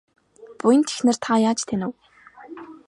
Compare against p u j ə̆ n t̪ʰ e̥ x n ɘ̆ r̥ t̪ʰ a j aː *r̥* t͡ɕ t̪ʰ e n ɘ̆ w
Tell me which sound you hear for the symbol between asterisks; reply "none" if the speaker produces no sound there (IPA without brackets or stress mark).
none